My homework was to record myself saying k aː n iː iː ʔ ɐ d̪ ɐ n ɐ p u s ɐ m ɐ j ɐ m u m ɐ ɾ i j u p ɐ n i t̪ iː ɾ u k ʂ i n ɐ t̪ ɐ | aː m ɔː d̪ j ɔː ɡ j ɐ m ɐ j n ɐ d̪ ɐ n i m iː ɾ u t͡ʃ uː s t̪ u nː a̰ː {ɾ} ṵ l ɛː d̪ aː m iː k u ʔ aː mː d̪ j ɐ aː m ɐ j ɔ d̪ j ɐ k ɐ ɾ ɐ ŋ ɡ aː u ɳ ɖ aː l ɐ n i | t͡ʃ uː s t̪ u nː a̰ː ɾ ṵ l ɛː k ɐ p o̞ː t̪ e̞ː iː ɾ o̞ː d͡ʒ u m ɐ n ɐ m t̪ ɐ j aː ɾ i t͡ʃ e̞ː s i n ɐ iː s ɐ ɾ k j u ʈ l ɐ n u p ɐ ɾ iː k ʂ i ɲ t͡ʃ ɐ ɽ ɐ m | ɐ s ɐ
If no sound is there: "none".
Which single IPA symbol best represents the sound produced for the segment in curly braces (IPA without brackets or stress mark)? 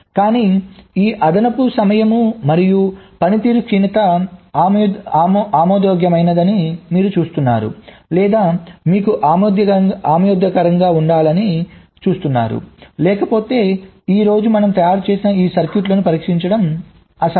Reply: ɾ